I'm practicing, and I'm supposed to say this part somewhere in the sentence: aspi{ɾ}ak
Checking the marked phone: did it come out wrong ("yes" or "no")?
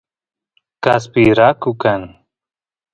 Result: no